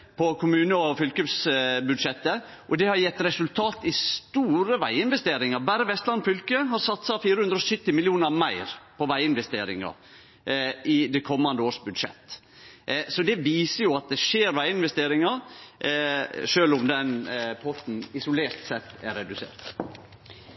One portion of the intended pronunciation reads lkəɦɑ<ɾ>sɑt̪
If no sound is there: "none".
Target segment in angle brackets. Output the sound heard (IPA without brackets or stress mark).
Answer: ɾ